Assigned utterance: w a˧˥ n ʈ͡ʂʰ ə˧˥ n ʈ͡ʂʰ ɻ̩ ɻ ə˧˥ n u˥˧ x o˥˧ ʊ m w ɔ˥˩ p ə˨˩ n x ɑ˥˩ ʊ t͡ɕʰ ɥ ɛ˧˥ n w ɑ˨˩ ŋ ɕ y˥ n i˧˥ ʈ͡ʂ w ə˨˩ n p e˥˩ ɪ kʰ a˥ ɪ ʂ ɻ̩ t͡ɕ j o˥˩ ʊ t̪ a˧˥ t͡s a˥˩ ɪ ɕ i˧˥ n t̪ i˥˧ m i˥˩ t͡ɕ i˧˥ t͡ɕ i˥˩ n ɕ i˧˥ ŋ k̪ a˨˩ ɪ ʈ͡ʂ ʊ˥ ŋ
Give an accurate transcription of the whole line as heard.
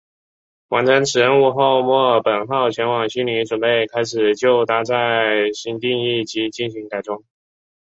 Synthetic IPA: w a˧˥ n ʈ͡ʂʰ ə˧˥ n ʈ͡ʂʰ ɻ̩ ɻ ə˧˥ n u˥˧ x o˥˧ ʊ m w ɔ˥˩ p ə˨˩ n x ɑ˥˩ ʊ t͡ɕʰ ɥ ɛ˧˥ n w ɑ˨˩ ŋ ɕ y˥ n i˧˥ ʈ͡ʂ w ə˨˩ n p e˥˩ ɪ kʰ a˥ ɪ ʂ ɻ̩ t͡ɕ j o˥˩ ʊ t̪ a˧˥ t͡s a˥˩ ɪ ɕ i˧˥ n t̪ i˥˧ ŋ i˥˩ t͡ɕ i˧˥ t͡ɕ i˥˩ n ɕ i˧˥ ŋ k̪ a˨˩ ɪ ʈ͡ʂ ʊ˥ ŋ